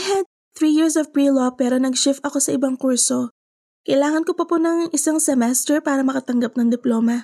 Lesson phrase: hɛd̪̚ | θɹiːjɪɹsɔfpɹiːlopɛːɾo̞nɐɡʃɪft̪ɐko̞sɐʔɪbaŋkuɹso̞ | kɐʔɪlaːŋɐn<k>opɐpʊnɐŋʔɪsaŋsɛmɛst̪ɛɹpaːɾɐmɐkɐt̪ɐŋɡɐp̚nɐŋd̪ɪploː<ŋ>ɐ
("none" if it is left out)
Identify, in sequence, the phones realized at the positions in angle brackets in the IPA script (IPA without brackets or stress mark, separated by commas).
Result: k, m